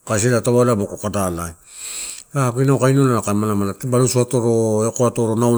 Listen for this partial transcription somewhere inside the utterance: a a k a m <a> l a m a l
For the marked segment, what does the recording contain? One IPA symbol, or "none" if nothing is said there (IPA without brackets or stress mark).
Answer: a